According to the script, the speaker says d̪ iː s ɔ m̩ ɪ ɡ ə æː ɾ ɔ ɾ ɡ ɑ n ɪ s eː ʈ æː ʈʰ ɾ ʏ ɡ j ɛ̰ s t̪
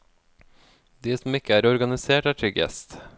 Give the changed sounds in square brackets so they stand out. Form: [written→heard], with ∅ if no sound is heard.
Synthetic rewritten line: d̪ iː s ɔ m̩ ɪ [ɡ→k] ə æː ɾ ɔ ɾ ɡ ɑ n ɪ s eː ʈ æː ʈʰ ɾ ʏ ɡ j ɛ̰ s t̪